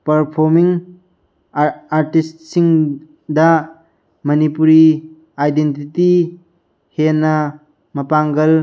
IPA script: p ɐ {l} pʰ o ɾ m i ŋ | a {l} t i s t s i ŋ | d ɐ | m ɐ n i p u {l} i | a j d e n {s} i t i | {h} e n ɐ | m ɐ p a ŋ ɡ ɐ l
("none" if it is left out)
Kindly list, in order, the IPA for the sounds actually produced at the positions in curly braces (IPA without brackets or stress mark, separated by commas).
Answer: ɾ, ɾ, ɾ, t, h